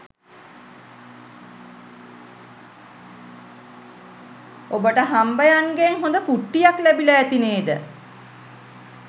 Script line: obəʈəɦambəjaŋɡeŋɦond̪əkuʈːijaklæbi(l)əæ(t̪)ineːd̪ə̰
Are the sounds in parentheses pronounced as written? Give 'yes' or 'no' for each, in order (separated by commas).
yes, yes